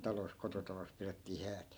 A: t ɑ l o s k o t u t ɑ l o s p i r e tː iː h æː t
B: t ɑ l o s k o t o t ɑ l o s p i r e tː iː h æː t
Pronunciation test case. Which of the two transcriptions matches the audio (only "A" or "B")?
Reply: B